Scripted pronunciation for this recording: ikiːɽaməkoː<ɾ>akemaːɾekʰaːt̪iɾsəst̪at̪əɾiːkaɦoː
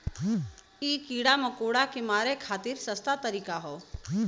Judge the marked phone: incorrect: ɽ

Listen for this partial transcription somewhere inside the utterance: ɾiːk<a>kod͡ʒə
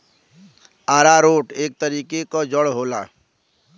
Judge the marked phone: incorrect: e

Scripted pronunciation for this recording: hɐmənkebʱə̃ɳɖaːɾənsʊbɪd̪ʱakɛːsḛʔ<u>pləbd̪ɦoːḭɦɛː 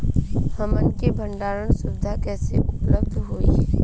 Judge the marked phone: incorrect: ʊ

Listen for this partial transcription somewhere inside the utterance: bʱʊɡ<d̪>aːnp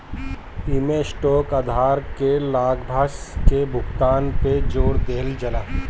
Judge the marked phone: incorrect: t̪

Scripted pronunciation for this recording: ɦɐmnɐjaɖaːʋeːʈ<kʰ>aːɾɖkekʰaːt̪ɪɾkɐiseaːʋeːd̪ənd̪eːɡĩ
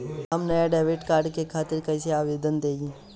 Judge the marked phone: incorrect: k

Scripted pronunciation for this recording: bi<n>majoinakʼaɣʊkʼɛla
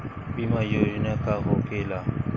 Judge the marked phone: incorrect: none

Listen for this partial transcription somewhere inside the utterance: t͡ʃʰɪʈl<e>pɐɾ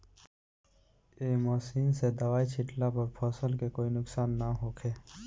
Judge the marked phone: incorrect: a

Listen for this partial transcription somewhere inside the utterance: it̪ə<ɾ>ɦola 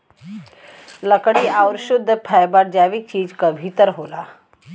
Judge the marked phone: correct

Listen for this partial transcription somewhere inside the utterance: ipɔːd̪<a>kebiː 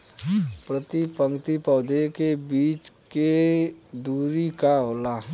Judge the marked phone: incorrect: e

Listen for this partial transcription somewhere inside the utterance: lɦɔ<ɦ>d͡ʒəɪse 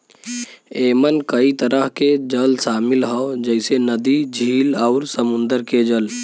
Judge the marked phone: incorrect: none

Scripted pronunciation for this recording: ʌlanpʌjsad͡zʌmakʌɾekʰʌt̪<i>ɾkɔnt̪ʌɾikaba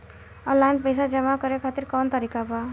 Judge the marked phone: correct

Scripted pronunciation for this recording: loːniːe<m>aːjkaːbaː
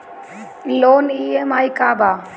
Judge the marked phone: correct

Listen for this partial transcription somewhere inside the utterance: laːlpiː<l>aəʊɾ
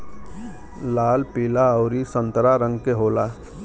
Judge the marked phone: correct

